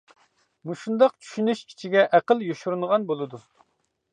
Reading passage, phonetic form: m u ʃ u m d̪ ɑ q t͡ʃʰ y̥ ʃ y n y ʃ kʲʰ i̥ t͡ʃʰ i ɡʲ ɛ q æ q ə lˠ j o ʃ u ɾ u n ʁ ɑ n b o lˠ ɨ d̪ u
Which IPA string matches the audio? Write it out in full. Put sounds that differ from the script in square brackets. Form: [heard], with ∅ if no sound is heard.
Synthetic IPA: m u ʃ u [n] d̪ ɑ q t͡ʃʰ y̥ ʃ y n y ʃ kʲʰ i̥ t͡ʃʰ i ɡʲ ɛ [ʔ] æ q ə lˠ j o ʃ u ɾ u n ʁ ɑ n b o lˠ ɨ d̪ u